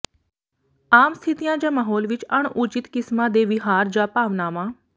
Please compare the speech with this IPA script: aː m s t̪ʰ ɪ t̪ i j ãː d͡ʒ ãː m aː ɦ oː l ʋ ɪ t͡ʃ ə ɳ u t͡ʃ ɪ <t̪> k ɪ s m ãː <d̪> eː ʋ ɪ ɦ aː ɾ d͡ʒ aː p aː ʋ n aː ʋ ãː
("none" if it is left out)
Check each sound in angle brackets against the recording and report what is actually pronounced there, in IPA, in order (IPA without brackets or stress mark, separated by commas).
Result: t̪, d̪